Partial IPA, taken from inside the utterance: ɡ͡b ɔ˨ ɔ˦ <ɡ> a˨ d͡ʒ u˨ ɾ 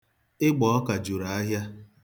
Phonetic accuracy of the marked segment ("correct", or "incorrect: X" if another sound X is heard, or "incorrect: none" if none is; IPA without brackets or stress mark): incorrect: k